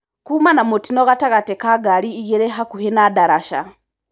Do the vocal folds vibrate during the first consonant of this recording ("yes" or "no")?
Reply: no